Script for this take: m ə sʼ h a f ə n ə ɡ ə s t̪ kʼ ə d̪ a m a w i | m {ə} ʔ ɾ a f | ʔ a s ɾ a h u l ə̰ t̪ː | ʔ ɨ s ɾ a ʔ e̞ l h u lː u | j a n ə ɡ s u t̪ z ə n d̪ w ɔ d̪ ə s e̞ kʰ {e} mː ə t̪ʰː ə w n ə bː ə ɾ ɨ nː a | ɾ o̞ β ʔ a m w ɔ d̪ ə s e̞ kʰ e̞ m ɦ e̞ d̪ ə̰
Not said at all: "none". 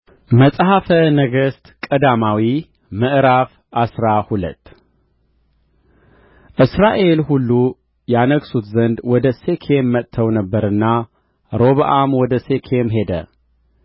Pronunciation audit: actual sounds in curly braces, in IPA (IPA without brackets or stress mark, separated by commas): ə, e